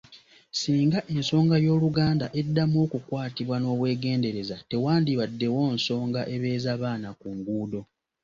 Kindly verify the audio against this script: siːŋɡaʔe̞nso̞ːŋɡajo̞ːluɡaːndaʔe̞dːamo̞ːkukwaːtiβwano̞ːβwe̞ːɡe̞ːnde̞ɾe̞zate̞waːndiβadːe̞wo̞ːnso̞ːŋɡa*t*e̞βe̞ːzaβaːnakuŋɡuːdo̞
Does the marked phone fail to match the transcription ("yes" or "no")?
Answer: yes